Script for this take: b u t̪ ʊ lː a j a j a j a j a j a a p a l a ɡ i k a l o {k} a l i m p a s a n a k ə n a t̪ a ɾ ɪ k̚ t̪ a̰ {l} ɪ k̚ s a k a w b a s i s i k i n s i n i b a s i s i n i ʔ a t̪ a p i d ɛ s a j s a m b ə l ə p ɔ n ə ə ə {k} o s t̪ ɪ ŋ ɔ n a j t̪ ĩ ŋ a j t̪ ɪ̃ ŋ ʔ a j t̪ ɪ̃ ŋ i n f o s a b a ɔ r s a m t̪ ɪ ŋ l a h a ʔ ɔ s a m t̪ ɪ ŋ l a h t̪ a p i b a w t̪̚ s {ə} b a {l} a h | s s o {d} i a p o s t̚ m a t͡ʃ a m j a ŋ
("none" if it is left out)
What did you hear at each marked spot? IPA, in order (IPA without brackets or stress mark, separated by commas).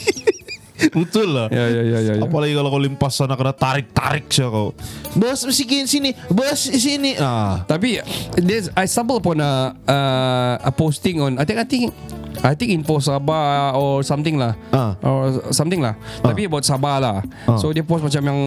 k, ɾ, p, a, l, d